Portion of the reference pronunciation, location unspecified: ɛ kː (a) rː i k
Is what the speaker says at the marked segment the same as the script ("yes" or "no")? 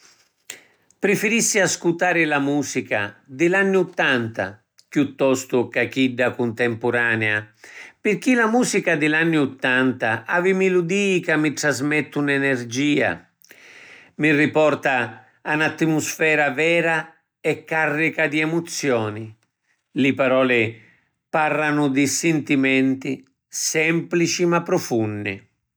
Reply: yes